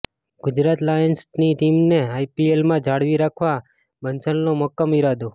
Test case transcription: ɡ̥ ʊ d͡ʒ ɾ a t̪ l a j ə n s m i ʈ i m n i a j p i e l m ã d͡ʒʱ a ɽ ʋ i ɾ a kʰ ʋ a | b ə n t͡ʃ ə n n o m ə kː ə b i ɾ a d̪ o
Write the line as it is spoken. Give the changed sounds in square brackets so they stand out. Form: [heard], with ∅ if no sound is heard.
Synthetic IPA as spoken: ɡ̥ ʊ d͡ʒ ɾ a t̪ l a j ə n s [n] i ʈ i m n [e] a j p i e l m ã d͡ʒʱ a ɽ ʋ i ɾ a kʰ ʋ a | b ə n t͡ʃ ə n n o m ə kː ə [m] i ɾ a d̪ o